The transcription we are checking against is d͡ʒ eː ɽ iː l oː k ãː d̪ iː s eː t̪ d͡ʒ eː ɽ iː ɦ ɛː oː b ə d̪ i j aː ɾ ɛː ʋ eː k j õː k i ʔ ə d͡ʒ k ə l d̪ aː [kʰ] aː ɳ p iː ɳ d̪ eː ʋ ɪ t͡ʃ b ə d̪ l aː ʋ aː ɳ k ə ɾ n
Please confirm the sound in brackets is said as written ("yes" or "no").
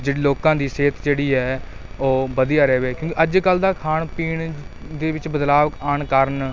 yes